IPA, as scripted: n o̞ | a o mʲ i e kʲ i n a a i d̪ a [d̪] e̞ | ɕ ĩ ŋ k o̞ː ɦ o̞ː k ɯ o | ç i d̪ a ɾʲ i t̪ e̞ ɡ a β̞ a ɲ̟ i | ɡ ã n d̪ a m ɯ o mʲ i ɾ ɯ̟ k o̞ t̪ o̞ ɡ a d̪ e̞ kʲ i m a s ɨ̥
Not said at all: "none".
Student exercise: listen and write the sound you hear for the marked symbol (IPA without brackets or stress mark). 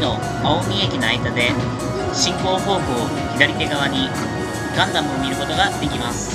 d̪